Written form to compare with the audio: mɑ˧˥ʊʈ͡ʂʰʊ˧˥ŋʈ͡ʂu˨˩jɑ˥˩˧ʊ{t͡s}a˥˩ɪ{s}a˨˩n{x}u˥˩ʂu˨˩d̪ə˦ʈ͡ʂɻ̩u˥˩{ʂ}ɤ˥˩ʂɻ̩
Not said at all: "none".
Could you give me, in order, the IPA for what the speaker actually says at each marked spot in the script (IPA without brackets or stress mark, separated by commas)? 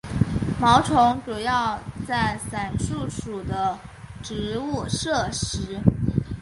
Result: t͡s, s, ʂ, ʂ